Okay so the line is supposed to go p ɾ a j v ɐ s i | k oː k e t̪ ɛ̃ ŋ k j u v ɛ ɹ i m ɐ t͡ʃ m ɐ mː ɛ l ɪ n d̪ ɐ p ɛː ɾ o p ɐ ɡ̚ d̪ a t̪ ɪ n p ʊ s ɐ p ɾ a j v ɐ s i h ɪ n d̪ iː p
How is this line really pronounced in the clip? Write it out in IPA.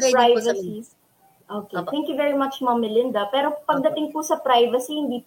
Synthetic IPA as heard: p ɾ a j v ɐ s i | ʔ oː k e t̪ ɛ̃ ŋ k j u v ɛ ɹ i m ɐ t͡ʃ m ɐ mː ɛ l ɪ n d̪ ɐ p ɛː ɾ o p ɐ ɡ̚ d̪ ɐ t̪ ɪ ŋ p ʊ s ɐ p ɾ a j v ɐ s i h ɪ n d̪ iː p